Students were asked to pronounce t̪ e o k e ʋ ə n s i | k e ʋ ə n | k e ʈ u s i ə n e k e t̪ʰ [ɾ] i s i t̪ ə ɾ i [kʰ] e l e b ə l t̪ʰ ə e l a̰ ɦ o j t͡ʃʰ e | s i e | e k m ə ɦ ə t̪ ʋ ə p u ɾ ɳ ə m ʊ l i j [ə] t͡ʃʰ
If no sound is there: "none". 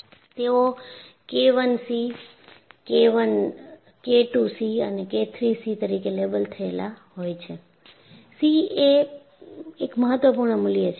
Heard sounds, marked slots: ɾ, k, ə

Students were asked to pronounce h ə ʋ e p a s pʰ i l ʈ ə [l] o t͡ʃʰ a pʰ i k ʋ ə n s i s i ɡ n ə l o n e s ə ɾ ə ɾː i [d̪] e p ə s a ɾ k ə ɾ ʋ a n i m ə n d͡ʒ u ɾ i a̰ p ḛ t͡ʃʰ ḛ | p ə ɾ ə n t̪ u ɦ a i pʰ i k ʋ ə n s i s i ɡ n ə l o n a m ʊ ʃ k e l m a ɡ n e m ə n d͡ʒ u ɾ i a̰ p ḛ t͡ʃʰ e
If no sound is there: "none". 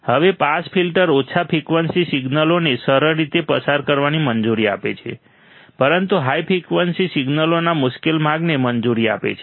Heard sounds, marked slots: ɾ, t̪

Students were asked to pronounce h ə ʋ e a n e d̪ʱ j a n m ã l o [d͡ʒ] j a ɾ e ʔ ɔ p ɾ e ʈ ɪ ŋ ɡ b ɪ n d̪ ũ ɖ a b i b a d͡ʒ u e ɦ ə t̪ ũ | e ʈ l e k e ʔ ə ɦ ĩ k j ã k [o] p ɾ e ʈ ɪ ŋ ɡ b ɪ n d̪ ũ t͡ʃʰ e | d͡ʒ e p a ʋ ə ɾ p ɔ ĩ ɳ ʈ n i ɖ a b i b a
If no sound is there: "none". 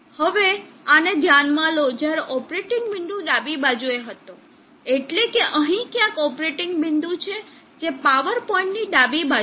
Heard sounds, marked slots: d͡ʒ, ɔ

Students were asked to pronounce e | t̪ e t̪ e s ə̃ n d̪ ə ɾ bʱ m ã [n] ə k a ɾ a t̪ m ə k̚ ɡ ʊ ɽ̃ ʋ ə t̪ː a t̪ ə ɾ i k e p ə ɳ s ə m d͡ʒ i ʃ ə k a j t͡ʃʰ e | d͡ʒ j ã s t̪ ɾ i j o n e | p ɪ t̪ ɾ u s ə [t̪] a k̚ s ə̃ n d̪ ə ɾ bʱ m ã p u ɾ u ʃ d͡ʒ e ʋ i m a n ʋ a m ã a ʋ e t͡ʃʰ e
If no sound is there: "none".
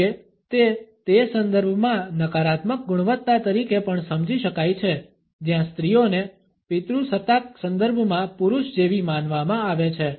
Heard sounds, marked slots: n, t̪

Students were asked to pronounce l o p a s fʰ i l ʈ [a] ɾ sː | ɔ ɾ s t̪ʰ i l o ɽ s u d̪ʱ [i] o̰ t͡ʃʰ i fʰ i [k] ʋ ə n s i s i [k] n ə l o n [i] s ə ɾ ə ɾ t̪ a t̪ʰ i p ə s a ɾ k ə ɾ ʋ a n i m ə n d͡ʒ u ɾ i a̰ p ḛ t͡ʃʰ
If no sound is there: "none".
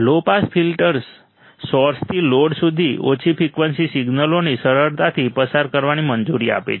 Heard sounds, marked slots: ə, i, k, ɡ, i

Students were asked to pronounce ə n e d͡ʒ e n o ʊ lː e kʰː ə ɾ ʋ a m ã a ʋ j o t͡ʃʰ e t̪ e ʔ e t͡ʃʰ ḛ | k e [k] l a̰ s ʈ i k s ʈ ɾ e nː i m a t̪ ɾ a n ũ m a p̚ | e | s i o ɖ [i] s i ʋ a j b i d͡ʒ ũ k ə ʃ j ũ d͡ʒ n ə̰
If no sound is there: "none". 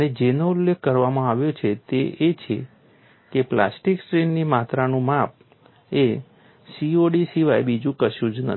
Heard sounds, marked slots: p, i

